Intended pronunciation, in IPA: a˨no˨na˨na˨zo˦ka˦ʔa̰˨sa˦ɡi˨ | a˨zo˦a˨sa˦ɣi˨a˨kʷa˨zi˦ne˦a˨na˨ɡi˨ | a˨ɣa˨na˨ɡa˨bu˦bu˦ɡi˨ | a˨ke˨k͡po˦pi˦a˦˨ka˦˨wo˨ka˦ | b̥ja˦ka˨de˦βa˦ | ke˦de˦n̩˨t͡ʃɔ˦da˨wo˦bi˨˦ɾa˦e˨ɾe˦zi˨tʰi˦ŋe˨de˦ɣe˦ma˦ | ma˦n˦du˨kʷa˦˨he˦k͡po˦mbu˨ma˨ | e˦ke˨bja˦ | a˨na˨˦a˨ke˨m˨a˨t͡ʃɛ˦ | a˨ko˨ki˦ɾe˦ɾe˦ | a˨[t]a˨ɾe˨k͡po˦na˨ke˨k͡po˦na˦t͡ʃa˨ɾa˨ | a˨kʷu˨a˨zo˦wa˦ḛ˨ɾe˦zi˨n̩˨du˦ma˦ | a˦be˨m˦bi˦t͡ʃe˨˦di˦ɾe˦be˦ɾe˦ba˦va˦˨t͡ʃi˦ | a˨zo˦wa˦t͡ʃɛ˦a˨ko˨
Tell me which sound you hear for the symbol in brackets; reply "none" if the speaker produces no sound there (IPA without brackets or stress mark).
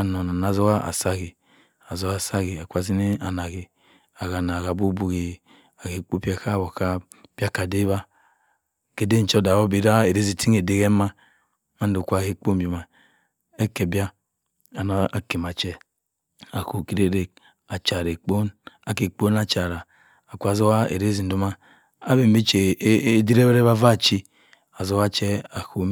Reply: t͡ʃ